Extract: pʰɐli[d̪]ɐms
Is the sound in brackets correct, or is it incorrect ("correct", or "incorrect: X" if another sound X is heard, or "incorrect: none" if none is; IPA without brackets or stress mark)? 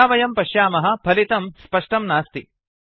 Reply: incorrect: t̪